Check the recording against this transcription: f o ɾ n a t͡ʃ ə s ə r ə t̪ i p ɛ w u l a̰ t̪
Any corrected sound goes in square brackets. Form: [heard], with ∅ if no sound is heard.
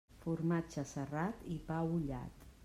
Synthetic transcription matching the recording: f [u] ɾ [m] a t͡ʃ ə s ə r [a] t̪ i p [a] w u [ʎ] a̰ t̪